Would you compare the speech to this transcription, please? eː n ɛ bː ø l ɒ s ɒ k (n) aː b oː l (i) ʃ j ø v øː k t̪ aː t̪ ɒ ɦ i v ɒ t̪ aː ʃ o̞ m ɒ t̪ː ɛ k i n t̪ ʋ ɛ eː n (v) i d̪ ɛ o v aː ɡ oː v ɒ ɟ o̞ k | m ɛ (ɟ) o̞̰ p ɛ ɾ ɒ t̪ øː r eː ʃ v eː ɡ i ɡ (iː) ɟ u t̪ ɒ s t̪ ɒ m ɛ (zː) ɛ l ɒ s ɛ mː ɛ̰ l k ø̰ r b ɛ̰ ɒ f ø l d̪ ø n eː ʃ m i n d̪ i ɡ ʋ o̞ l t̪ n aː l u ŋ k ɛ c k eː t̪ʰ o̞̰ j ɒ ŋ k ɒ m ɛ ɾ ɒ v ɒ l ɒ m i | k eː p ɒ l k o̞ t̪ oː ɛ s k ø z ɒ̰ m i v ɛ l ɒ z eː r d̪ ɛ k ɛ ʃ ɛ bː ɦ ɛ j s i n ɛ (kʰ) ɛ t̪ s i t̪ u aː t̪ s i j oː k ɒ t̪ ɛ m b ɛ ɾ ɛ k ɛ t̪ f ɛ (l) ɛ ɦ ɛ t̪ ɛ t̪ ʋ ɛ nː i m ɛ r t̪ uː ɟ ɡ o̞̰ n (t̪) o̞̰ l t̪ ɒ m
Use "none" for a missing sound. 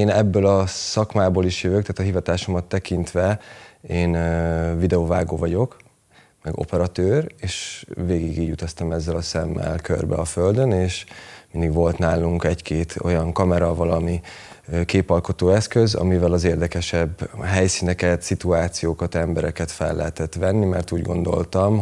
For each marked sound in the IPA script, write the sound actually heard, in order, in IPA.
m, i, v, ɡ, iː, zː, k, lː, d̪

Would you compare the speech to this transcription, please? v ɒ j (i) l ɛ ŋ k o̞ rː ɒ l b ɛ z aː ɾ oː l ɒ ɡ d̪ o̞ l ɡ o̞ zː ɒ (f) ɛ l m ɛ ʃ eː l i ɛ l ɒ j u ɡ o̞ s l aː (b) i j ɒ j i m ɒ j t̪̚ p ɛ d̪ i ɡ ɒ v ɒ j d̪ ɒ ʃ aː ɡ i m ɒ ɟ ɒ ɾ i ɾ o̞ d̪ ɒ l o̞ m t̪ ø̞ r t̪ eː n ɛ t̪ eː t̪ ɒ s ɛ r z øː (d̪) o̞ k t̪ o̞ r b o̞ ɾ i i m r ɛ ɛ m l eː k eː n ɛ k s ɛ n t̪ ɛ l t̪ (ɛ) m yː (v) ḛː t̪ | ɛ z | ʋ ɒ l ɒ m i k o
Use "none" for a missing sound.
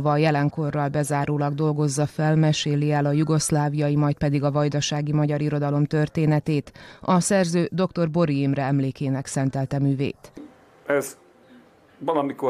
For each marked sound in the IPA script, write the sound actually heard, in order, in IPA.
ɛ, f, v, d̪, ɛ, v

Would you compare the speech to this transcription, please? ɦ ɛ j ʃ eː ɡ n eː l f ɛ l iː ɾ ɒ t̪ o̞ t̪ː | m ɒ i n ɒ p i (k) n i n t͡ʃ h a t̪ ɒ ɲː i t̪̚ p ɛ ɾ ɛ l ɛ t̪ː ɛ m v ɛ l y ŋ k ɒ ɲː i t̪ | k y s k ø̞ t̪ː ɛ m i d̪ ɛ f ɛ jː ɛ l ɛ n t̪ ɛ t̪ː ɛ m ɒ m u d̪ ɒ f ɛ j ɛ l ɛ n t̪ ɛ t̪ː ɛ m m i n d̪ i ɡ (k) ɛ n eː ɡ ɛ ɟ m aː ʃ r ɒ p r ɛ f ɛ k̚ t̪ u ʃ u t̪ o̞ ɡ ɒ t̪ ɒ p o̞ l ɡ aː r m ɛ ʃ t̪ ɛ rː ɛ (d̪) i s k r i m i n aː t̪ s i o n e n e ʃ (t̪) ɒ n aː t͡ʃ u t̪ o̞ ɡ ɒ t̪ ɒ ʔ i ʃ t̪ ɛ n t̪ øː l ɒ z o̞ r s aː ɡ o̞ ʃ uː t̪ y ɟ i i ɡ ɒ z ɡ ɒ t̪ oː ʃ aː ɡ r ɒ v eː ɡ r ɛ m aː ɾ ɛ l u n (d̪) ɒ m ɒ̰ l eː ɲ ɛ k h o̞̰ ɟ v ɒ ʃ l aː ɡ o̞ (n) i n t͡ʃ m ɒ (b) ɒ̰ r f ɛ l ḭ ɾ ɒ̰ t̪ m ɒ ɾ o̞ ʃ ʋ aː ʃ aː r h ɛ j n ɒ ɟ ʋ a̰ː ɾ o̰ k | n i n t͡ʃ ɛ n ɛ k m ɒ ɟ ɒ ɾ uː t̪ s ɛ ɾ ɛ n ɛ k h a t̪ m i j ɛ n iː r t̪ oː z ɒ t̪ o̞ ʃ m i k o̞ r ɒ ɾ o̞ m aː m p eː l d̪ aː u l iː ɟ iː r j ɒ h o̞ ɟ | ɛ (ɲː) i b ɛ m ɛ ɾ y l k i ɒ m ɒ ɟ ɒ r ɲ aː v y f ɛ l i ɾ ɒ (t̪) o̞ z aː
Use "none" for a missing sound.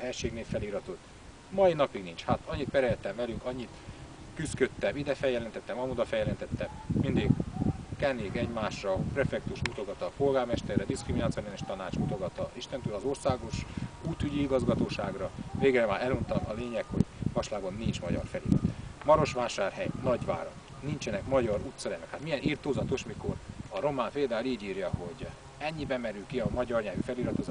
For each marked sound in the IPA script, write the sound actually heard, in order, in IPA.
ɡ, k, d̪, t̪, t̪, nː, ɟ, ɲː, t̪

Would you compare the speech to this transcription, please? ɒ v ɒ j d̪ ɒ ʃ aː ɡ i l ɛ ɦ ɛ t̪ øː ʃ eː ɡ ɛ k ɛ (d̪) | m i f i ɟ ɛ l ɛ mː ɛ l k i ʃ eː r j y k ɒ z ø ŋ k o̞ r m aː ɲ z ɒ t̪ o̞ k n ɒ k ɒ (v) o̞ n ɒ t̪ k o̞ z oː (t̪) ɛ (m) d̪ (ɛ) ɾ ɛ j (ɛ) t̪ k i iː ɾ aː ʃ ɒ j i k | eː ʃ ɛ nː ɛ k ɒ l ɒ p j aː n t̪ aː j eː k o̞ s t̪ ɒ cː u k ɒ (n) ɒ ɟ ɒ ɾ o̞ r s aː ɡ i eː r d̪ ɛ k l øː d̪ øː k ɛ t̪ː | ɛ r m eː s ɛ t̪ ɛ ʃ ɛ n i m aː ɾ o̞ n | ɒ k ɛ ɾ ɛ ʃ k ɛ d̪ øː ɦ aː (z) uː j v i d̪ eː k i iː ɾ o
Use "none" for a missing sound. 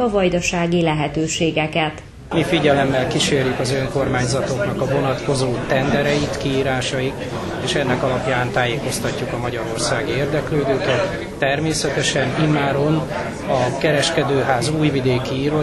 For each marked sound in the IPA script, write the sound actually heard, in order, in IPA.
t̪, v, t̪, n, ɛ, i, m, z

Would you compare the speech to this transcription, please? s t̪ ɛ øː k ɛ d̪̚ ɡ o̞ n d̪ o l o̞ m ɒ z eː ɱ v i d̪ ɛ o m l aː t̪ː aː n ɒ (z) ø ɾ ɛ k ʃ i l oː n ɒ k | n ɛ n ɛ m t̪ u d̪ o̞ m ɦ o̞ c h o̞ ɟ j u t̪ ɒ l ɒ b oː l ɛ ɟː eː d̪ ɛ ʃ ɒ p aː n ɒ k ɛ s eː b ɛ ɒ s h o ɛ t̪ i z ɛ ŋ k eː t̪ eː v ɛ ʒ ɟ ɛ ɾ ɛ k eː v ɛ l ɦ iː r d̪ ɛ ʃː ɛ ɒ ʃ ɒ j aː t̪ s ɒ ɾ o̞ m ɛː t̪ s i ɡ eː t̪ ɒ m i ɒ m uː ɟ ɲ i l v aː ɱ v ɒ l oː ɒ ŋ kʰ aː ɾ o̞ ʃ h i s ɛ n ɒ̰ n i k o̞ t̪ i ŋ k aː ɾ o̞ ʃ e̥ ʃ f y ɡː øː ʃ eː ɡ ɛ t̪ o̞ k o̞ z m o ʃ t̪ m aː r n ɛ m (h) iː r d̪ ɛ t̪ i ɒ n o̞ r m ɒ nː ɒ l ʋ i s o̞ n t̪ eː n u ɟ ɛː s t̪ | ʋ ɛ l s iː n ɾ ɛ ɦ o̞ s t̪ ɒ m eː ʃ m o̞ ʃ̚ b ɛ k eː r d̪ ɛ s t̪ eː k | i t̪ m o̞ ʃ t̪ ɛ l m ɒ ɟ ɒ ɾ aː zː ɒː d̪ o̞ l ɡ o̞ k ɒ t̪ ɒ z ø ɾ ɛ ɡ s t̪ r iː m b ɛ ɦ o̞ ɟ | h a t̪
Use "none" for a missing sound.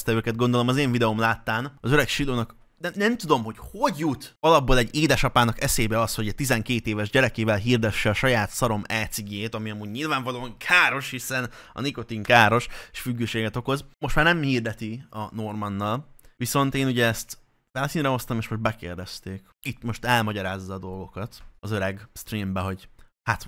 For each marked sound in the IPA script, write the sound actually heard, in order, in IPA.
z, h

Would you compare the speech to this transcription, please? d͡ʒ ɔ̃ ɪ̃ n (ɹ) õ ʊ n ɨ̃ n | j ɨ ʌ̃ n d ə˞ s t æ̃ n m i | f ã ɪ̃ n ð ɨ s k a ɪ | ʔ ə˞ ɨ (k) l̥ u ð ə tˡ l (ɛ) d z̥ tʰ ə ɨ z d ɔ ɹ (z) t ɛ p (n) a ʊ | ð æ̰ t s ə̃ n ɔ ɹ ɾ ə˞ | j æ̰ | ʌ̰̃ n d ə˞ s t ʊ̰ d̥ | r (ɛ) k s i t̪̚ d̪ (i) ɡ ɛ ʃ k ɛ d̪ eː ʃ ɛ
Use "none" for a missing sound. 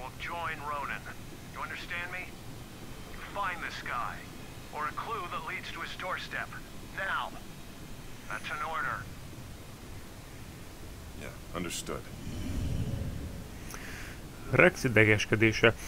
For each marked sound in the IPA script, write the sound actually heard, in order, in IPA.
ɹ, kʰ, i, s, n, ɛ, ɛ

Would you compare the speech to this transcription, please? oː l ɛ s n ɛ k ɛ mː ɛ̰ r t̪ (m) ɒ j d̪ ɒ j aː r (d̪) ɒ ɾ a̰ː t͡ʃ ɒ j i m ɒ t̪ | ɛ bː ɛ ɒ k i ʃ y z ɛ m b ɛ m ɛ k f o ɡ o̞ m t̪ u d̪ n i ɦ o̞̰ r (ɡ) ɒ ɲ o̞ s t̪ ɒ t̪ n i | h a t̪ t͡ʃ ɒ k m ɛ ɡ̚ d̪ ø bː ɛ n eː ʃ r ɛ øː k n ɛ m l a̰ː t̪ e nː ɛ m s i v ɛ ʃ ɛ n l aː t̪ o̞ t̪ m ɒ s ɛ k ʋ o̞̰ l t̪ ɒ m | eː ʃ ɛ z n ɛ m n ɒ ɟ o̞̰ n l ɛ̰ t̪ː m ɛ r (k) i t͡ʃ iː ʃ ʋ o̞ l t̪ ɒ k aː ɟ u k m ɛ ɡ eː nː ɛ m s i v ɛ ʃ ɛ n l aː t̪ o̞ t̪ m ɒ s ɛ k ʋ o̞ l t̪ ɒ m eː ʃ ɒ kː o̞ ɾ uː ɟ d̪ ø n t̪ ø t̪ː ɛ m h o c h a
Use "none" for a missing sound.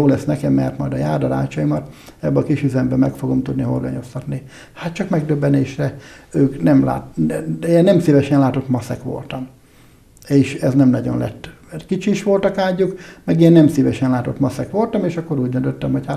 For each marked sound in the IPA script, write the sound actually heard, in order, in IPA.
m, d̪, ɡ, k

